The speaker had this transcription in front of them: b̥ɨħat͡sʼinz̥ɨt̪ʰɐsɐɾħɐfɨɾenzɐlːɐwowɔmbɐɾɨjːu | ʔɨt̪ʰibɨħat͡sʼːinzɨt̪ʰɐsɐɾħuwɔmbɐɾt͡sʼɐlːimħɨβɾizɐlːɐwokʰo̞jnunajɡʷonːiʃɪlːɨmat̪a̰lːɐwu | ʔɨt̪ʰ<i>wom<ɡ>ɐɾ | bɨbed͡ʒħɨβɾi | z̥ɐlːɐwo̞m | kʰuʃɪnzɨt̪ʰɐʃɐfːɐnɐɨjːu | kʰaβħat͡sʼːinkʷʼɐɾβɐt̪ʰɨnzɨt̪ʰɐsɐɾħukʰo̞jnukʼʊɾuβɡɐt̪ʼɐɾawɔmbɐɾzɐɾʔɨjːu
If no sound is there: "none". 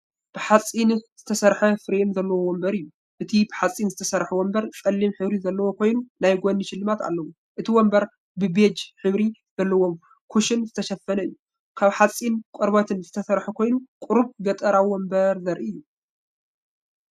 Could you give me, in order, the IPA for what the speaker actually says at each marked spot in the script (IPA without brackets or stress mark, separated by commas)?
i, b